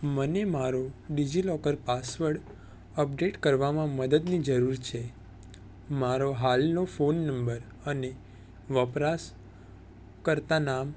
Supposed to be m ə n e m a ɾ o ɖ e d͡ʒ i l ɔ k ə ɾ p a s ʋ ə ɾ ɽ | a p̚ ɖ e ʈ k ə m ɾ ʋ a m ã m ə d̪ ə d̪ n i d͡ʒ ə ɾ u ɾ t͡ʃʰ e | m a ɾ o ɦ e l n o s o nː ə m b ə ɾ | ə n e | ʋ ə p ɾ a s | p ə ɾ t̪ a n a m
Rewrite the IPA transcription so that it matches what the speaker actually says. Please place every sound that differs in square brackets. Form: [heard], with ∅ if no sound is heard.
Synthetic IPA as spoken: m ə n e m a ɾ o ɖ [i] d͡ʒ i l ɔ k ə ɾ p a s ʋ ə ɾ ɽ | [ə] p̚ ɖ e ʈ k ə [∅] ɾ ʋ a m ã m ə d̪ ə d̪ n i d͡ʒ ə ɾ u ɾ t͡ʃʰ e | m a ɾ o ɦ [a] l n o [f] o nː ə m b ə ɾ | ə n e | ʋ ə p ɾ a s | [k] ə ɾ t̪ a n a m